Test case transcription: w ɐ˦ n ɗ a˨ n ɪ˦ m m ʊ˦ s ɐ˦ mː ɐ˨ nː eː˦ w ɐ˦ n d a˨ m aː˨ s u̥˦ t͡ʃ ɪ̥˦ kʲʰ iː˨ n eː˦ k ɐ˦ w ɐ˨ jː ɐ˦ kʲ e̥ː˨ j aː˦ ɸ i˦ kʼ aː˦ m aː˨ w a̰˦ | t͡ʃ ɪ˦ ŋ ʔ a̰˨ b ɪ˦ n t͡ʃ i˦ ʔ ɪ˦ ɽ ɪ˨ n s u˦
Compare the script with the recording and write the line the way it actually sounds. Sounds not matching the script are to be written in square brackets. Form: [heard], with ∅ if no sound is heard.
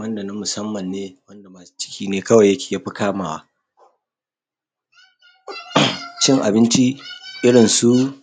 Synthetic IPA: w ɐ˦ n [d] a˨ n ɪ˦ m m [ʊ˨] s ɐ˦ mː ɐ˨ nː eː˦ w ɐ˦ n d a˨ m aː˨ s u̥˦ t͡ʃ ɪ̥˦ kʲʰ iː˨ n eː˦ k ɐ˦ w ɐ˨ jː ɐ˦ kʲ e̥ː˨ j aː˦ ɸ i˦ [k] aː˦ m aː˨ w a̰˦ | t͡ʃ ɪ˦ ŋ ʔ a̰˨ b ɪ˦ n t͡ʃ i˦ ʔ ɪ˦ ɽ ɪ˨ n s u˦